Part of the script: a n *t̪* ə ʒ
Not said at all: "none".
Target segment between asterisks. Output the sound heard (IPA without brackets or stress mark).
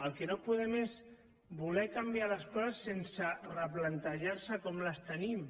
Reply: t̪